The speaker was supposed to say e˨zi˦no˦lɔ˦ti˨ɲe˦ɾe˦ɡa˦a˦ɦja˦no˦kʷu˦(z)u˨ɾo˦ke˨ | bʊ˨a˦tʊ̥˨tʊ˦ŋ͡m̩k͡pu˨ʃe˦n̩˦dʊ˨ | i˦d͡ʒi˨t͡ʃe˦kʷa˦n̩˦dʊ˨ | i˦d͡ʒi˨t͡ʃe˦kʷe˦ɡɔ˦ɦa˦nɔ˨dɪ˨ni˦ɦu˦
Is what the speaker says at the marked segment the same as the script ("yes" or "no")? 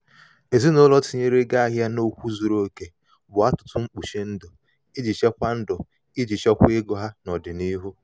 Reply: yes